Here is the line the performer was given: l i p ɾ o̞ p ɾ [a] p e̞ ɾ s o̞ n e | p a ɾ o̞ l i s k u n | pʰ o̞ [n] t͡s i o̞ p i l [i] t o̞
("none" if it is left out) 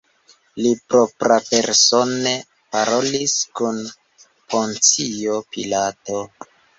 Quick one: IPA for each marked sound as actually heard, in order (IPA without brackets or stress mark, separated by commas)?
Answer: a, n, a